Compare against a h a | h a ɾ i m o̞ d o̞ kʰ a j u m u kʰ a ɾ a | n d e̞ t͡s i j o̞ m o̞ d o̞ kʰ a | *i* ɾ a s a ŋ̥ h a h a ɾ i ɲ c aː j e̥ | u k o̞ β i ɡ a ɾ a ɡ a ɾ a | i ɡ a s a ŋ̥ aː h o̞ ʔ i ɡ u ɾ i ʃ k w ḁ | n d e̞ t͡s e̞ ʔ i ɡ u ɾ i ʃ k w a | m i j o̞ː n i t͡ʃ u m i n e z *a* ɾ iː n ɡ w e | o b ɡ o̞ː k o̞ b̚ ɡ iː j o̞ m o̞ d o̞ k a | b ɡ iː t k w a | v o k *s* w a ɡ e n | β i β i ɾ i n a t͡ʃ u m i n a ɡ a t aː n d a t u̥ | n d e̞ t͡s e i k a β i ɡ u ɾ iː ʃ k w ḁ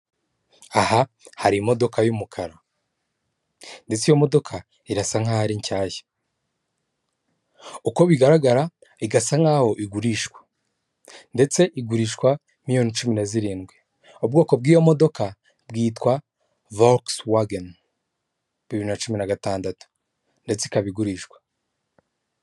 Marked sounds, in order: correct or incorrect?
correct, incorrect, correct

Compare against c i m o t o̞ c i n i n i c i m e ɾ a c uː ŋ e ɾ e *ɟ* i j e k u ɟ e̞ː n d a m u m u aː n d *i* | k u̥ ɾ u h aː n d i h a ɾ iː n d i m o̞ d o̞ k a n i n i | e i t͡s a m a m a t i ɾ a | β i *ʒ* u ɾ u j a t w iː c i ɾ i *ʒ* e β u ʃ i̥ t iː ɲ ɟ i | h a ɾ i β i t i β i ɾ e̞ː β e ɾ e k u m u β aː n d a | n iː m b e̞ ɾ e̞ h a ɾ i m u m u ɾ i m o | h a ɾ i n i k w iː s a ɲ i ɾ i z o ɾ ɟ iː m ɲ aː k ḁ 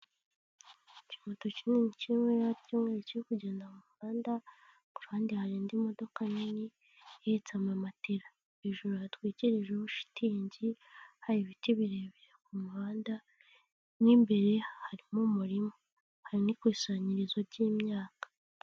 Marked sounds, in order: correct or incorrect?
incorrect, incorrect, correct, correct

